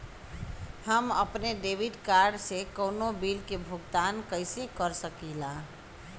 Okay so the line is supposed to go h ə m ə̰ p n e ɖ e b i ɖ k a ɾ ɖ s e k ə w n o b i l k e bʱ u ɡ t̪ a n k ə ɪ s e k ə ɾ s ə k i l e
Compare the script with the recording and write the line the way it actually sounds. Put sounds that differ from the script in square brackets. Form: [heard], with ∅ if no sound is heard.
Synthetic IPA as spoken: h ə m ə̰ p n e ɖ e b i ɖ k a ɾ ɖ s e k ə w n o b i l k e bʱ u ɡ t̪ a n k ə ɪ s e k ə ɾ s ə k i l [a]